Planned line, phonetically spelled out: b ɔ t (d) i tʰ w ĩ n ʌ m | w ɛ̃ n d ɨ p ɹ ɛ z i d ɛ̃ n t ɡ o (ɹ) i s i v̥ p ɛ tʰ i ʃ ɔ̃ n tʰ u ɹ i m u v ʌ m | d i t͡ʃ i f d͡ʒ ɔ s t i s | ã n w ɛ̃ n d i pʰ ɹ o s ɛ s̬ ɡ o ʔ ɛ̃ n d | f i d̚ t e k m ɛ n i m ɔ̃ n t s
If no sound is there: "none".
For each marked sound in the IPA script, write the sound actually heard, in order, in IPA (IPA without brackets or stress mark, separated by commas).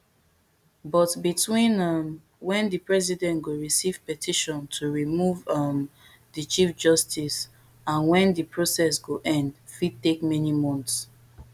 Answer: b, ɹ